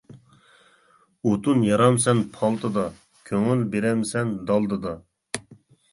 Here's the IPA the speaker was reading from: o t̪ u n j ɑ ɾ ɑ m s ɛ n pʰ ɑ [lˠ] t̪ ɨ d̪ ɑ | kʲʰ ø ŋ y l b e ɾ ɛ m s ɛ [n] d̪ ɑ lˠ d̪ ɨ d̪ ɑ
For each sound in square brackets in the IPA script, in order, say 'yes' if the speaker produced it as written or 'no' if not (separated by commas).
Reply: yes, yes